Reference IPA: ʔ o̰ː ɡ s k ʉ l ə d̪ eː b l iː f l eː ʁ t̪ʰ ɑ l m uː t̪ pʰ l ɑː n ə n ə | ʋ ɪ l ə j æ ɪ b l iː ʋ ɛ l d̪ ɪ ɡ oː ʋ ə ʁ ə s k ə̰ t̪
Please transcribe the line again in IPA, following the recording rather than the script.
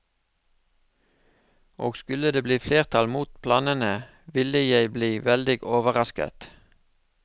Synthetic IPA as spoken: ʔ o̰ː ɡ s k ʉ l ə d̪ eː b l iː f l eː ʁ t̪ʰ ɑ l m uː t̪ pʰ l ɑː n ə n ə | ʋ ɪ l ə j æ ɪ b l iː ʋ ɛ l d̪ ɪ ɡ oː ʋ ə ʁ ɑ s k ə̰ t̪